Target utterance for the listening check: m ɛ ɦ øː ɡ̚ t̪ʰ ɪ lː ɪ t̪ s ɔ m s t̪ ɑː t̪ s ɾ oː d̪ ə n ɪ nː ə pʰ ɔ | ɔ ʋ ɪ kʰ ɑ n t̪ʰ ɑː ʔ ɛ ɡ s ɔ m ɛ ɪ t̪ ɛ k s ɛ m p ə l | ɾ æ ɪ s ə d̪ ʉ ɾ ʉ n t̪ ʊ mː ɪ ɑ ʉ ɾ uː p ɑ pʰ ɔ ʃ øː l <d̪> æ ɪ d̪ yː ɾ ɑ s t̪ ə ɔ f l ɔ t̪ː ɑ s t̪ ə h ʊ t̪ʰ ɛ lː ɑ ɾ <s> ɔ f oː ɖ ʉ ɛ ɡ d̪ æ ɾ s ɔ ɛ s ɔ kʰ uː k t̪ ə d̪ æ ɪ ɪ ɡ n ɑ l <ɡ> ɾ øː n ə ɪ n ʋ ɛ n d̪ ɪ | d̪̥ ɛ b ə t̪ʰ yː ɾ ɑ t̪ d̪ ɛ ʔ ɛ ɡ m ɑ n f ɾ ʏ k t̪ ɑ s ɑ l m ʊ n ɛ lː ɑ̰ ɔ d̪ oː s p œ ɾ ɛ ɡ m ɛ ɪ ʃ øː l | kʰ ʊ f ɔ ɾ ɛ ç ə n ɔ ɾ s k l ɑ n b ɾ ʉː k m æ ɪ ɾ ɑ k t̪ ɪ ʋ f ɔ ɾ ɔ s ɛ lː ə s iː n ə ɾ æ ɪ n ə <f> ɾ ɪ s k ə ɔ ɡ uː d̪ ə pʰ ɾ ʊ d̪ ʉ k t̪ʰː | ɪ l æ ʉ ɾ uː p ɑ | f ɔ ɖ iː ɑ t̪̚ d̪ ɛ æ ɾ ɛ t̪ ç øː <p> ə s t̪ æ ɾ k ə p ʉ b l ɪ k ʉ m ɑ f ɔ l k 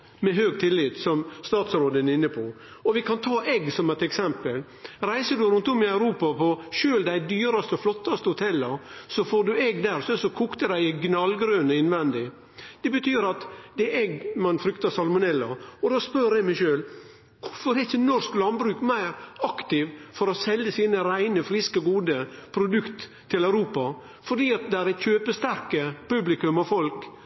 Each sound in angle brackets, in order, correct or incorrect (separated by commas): correct, correct, correct, correct, correct